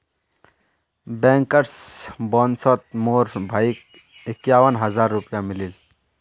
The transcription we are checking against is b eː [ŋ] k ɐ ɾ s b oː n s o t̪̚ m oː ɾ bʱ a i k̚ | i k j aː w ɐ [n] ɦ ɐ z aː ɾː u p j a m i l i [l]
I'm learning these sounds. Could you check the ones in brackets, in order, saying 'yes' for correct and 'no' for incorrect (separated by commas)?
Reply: yes, yes, yes